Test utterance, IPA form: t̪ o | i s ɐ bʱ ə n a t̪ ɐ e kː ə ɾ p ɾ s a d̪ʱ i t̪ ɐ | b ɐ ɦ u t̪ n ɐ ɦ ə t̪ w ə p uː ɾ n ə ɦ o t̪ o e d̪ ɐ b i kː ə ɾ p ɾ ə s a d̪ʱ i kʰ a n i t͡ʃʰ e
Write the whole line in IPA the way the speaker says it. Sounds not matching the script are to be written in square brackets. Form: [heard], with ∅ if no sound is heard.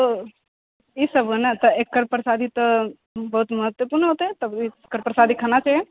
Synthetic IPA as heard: t̪ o | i s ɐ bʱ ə n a t̪ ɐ e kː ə ɾ p ɾ s a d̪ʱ i t̪ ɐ | b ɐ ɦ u t̪ [m] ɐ ɦ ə t̪ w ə p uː ɾ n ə ɦ o t̪ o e [t̪] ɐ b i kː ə ɾ p ɾ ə s a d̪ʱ i kʰ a n [a] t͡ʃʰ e

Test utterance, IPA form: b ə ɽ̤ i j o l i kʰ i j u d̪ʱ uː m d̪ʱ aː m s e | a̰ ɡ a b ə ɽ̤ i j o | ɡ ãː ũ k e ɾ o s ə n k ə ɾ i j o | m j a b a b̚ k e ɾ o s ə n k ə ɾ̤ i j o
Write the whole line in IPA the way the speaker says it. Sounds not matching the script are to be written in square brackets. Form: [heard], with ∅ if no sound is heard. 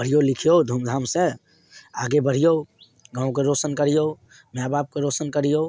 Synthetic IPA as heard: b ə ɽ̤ i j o l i kʰ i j [o] d̪ʱ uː m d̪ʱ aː m s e | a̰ ɡ [e] b ə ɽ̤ i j o | ɡ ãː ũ k e ɾ o s ə n k ə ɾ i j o | m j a b a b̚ k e ɾ o s ə n k ə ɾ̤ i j o

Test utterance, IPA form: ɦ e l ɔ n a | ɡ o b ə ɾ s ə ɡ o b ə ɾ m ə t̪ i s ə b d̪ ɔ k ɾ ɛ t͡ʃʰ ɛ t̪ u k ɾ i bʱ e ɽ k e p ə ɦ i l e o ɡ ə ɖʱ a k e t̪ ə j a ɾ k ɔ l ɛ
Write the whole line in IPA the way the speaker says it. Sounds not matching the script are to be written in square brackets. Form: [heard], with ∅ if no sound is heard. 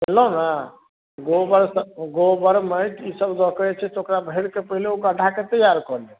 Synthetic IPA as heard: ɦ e l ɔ n a | ɡ o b ə ɾ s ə ɡ o b ə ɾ m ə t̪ i s ə b d̪ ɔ k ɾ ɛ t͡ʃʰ ɛ t̪ [o] k ɾ [a] bʱ e ɽ k e p ə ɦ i l e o ɡ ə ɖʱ a k e t̪ ə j a ɾ k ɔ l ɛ

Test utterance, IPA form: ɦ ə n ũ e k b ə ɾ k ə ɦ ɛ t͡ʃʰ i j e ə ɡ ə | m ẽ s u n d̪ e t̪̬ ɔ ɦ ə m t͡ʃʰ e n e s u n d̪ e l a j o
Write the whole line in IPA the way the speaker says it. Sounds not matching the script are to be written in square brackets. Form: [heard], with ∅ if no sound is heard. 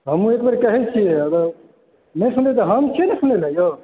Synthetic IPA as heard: ɦ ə [m] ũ e k b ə ɾ k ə ɦ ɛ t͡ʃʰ i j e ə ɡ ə | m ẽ s u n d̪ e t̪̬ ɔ ɦ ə m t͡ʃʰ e n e s u n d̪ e l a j o

